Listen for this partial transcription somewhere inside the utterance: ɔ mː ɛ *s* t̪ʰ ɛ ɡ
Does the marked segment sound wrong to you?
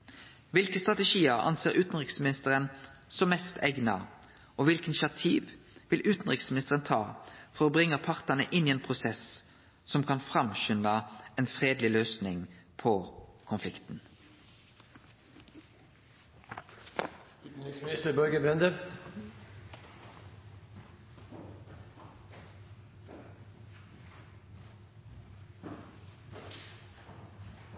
no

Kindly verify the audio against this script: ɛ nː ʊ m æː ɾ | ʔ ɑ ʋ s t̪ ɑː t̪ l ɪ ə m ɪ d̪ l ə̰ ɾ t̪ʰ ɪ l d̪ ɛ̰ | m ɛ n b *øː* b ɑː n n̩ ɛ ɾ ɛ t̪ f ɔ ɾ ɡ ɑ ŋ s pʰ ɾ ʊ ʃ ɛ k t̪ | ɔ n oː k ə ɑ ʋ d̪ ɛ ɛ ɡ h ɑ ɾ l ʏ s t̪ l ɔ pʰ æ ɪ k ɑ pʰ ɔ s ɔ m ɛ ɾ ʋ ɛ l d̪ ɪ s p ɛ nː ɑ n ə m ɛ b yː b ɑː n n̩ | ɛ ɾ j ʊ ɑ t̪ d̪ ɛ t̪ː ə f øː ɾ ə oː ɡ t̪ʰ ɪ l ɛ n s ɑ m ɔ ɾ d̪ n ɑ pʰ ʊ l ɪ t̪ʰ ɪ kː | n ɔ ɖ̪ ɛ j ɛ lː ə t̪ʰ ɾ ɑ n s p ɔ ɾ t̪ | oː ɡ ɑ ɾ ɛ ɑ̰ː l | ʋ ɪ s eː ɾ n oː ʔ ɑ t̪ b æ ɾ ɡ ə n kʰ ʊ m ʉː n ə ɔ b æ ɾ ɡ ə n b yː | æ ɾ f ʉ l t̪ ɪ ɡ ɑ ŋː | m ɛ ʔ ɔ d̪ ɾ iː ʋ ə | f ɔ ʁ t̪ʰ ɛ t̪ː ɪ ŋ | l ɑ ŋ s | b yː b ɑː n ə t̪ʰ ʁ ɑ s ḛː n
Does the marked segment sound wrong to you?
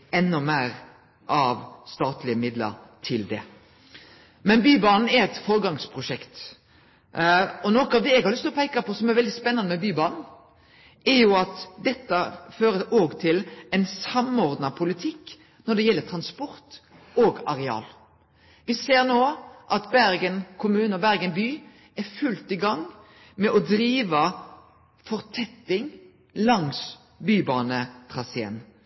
yes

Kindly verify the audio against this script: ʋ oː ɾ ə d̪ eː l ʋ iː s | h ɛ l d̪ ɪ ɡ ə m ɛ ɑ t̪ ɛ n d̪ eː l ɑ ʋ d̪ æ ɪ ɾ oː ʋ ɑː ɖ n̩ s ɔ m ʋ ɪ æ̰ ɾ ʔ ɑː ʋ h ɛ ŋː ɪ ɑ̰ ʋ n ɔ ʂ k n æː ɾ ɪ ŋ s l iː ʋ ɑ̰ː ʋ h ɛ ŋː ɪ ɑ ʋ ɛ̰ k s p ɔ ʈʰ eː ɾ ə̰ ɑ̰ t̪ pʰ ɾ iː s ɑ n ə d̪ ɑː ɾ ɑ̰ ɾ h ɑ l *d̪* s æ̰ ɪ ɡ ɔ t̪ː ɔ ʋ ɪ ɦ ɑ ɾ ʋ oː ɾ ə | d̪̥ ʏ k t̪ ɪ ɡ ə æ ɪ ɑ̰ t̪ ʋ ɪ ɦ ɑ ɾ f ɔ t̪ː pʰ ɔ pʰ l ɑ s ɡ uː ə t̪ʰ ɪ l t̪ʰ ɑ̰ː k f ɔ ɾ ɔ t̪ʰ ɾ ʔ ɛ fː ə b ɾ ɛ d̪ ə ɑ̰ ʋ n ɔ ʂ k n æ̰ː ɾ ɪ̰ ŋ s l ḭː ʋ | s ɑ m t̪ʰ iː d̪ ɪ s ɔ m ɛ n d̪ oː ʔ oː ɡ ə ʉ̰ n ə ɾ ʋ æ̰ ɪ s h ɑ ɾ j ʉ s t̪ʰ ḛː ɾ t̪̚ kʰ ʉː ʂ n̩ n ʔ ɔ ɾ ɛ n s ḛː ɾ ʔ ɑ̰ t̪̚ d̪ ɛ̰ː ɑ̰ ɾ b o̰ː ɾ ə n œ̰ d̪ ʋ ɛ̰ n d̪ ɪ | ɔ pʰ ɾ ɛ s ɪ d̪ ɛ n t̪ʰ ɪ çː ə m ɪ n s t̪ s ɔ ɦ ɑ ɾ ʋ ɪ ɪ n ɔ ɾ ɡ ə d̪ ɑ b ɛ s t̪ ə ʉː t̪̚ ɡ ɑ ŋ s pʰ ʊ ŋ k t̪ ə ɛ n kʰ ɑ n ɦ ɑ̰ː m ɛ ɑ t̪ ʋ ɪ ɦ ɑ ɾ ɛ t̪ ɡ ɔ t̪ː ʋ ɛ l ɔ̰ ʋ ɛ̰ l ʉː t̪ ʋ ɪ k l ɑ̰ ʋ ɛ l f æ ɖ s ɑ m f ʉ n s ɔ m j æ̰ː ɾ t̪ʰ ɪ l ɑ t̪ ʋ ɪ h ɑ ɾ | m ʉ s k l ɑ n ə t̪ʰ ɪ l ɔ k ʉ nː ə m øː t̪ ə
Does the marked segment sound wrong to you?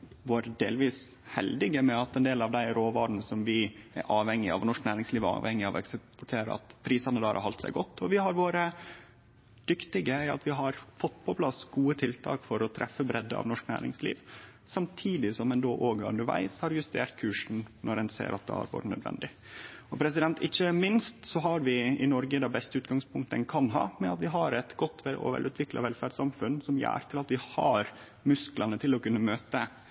yes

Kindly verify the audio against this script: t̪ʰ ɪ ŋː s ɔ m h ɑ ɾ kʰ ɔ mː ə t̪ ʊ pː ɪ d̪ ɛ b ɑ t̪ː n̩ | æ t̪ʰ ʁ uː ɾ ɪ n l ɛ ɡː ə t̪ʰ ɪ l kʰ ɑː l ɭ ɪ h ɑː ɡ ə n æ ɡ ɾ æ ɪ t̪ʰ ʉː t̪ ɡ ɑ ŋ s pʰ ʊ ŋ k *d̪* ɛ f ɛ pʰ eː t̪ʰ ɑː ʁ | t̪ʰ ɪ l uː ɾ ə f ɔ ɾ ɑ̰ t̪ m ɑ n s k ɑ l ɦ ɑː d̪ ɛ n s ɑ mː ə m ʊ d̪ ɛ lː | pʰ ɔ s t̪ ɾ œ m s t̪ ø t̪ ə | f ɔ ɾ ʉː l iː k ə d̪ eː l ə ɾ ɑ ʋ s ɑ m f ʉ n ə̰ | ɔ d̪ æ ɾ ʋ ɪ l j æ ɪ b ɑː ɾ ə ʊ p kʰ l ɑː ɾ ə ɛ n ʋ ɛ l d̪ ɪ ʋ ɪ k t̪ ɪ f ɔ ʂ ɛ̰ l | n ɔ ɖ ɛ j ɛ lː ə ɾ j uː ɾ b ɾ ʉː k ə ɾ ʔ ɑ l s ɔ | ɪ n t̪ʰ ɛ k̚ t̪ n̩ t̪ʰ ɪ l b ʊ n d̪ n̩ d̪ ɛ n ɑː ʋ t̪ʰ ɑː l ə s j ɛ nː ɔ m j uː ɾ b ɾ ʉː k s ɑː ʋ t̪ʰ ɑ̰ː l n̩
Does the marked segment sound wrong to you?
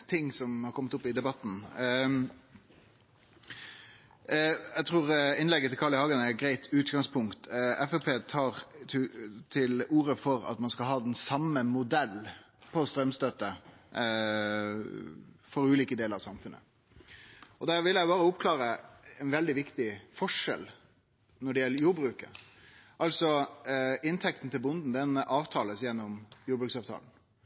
yes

